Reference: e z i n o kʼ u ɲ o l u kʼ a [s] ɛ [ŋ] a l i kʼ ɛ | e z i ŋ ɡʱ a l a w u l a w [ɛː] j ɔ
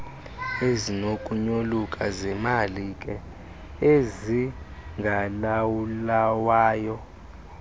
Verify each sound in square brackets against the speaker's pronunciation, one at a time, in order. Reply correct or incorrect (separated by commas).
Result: incorrect, incorrect, incorrect